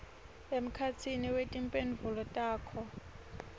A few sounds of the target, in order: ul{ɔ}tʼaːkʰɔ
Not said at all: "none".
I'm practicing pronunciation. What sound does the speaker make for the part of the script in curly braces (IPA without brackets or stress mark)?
ɔ